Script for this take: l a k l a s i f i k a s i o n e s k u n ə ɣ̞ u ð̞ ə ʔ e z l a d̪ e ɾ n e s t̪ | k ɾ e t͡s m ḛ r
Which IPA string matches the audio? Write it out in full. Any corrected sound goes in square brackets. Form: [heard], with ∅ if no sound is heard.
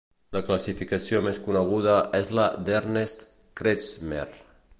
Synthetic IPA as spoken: l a k l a s i f i k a s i o [m] e s k u n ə ɣ̞ u ð̞ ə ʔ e z l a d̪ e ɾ n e s t̪ | k ɾ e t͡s m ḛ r